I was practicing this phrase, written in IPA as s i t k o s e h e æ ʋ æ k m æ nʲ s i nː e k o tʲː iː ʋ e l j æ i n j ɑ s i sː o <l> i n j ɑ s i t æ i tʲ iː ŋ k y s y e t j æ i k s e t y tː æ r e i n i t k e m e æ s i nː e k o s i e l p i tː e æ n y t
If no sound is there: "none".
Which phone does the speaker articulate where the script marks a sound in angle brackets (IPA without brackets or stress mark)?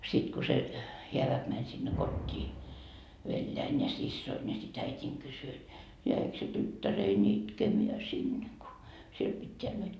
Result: none